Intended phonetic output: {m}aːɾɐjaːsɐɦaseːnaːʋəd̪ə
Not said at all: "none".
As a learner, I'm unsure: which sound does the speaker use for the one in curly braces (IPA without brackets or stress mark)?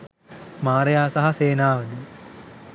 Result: m